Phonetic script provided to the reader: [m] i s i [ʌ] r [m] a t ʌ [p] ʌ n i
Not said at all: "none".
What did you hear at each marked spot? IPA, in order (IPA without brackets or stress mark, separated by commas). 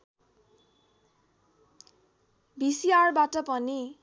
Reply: b, a, b, p